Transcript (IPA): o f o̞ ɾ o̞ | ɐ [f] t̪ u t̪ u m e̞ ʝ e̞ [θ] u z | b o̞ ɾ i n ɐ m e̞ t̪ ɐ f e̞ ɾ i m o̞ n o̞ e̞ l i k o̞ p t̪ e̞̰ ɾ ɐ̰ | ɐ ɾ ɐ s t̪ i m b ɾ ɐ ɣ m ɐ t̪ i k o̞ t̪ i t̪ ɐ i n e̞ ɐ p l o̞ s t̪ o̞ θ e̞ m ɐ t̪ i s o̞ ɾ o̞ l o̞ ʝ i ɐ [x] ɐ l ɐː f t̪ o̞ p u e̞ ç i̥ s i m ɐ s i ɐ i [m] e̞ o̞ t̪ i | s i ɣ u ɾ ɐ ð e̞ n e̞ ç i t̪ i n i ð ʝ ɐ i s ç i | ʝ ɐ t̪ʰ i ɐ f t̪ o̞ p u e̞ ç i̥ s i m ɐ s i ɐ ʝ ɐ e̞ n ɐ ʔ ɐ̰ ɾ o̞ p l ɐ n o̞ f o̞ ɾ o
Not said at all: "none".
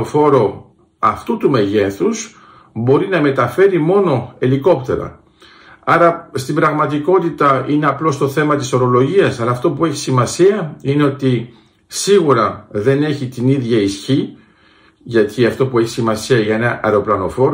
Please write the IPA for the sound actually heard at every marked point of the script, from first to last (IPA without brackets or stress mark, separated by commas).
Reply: f, θ, s, n